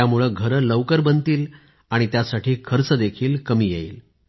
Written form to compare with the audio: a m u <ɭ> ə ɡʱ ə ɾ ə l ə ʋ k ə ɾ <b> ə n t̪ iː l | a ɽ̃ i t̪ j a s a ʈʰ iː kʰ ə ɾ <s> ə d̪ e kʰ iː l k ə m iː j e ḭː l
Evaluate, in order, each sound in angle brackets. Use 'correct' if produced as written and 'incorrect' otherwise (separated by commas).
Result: correct, correct, incorrect